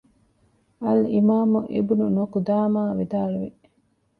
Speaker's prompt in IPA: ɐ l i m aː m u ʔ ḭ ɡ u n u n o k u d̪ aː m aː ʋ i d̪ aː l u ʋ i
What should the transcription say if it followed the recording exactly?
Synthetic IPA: ɐ l i m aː m u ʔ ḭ b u n u n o k u d̪ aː m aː ʋ i d̪ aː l u ʋ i